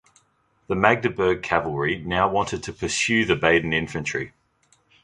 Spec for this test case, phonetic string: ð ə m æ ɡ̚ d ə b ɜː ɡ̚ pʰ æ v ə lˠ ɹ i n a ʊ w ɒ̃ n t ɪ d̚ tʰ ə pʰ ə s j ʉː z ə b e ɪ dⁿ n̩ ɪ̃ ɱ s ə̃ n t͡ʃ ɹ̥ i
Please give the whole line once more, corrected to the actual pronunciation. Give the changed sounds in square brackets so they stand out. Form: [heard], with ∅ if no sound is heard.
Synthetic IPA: ð ə m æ ɡ̚ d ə b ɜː ɡ̚ [kʰ] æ v ə lˠ ɹ i n a ʊ w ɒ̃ n t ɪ d̚ tʰ ə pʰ ə s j ʉː [ð] ə b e ɪ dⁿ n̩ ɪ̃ ɱ [f] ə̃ n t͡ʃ ɹ̥ i